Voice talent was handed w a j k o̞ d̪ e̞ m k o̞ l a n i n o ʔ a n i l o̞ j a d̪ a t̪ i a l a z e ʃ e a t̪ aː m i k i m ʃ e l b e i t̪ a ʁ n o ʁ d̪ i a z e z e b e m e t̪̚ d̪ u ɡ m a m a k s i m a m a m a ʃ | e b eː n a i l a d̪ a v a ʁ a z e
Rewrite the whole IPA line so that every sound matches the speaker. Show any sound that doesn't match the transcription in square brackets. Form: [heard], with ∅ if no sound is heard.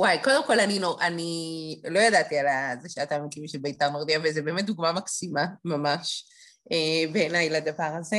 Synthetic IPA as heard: w a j k o̞ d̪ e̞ m k o̞ l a n i n o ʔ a n i l o̞ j a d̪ a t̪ i a l a z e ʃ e a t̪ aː m i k i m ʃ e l b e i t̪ a ʁ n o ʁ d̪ i a [v] e z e b e m e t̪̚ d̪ u ɡ m a m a k s i m a m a m a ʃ | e b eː n a [j] l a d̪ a v a ʁ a z e